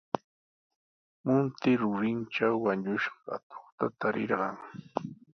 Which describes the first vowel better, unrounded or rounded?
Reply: rounded